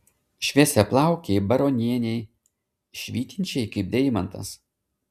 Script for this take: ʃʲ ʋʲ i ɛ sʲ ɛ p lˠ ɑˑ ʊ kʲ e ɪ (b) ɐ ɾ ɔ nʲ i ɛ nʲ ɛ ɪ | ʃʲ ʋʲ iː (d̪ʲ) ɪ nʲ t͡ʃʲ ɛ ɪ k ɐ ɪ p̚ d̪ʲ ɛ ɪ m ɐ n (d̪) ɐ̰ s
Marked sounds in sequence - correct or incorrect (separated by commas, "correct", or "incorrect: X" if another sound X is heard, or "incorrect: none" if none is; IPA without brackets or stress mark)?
correct, incorrect: t̪ʲ, incorrect: t̪